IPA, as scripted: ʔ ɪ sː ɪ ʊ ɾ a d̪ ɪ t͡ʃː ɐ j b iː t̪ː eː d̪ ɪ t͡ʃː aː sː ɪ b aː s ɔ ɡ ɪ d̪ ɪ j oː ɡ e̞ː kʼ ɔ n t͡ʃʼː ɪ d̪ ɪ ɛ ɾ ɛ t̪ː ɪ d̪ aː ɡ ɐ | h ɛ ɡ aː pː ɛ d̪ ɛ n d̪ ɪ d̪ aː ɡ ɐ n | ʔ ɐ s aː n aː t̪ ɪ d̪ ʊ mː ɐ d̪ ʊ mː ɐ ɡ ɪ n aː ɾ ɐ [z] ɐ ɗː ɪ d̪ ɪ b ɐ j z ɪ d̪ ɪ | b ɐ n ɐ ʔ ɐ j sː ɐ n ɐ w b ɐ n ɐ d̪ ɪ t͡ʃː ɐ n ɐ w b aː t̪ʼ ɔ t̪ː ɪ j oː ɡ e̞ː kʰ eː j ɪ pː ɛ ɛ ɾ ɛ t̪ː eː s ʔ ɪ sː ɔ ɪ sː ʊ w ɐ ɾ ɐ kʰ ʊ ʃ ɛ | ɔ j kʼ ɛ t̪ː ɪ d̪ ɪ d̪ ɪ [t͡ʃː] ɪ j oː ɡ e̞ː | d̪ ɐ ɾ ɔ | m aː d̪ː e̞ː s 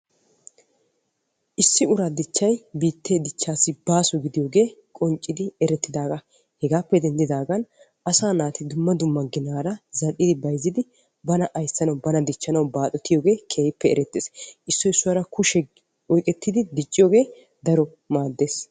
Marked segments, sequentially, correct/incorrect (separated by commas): correct, incorrect